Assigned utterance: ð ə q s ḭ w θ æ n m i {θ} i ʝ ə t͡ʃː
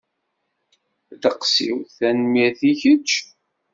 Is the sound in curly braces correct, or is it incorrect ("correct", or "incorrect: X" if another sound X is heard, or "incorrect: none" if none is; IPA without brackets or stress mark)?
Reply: correct